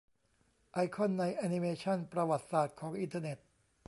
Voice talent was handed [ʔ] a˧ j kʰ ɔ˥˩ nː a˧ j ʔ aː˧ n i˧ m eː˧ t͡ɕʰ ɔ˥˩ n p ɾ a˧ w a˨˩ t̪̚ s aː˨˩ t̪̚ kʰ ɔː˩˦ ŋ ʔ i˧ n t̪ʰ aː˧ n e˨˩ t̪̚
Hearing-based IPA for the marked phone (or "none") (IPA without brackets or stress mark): ʔ